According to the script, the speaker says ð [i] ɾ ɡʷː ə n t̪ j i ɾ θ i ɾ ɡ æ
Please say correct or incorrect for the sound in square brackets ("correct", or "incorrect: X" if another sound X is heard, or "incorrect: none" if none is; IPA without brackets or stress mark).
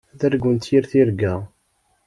incorrect: æ